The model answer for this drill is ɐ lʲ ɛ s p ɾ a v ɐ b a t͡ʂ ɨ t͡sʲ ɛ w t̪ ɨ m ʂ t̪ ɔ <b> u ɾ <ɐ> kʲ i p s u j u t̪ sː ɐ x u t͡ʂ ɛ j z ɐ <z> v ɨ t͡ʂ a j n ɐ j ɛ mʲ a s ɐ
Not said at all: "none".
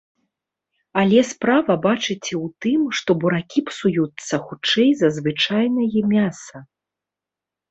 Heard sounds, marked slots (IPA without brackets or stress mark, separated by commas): b, a, z